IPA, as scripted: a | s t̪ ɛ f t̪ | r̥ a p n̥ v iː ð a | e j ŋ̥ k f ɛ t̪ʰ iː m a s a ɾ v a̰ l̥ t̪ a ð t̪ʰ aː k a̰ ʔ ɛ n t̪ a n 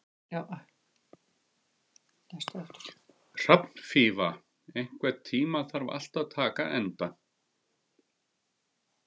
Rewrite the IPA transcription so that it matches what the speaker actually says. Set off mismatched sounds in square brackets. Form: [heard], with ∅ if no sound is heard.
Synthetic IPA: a | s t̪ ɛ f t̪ | r̥ a p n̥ [f] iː [v] a | e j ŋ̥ k [v] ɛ t̪ʰ iː m a [θ] a ɾ v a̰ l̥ t̪ a ð t̪ʰ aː k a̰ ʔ ɛ n t̪ a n